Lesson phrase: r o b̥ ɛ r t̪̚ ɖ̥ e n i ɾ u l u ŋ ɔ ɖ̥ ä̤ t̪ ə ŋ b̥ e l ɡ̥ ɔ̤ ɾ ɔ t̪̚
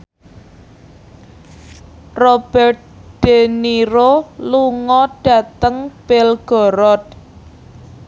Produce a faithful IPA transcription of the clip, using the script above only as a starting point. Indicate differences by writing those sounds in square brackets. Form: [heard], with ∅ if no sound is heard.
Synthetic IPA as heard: r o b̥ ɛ r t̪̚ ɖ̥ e n i ɾ [o] l u ŋ ɔ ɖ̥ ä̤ t̪ ə ŋ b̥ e l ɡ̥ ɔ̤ ɾ ɔ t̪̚